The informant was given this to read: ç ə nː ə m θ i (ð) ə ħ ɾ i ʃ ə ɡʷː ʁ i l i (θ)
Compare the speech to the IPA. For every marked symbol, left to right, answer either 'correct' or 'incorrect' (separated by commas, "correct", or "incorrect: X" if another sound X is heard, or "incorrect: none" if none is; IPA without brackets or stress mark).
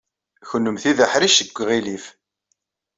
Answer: correct, incorrect: f